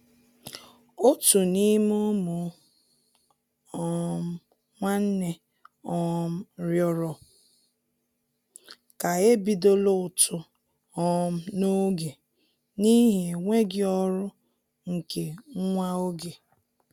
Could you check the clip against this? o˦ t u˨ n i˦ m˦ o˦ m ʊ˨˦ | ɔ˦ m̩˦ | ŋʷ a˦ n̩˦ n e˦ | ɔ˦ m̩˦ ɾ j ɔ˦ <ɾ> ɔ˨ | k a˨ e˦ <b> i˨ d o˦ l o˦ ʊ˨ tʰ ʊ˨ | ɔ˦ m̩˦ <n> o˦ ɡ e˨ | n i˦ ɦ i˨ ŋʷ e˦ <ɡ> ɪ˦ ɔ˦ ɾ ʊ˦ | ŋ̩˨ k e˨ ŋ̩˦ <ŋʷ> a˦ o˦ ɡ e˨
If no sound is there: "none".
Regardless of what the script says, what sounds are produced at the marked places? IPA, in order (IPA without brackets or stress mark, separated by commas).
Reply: ɾ, b, n, ɡ, ŋʷ